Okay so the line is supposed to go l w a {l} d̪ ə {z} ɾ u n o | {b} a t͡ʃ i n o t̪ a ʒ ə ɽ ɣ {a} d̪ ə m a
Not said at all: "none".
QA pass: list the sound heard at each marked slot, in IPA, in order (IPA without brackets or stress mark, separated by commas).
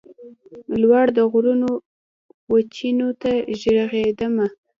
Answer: ɽ, ɣ, w, e